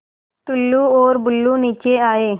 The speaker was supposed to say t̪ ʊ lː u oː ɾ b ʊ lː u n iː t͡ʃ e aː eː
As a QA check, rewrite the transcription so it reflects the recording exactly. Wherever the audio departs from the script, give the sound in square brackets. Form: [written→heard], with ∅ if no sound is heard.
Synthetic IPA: t̪ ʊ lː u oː ɾ b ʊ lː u n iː t͡ʃ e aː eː